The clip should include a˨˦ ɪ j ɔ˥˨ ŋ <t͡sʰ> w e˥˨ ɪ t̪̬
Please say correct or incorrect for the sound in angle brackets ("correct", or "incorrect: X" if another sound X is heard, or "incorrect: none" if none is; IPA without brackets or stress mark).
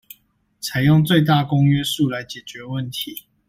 incorrect: t͡s